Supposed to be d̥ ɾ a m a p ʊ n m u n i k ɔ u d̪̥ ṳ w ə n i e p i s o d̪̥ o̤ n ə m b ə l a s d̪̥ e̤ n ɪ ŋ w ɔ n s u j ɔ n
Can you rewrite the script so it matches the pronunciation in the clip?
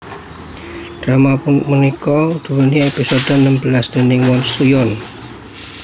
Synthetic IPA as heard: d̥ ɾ a m a p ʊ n m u n i k ɔ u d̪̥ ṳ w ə n i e p i s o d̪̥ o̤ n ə m b ə l a s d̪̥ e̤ n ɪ ŋ w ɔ n s u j ɔ n